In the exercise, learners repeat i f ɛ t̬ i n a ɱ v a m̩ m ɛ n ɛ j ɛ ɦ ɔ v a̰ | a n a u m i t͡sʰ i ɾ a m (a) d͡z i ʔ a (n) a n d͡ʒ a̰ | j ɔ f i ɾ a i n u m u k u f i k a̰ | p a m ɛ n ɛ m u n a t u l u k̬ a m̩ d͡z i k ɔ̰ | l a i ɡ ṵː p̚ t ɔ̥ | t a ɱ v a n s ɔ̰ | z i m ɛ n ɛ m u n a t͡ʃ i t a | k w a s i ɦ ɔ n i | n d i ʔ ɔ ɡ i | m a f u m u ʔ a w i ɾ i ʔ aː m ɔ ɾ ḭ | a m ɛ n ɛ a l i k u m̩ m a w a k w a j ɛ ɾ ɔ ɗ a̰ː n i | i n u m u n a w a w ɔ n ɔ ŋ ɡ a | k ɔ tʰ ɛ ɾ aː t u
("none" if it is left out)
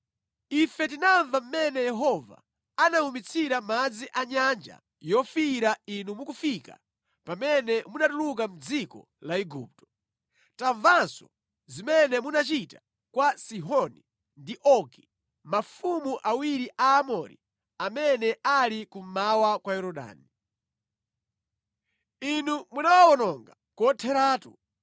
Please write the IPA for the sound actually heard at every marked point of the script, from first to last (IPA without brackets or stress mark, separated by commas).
a, ɲ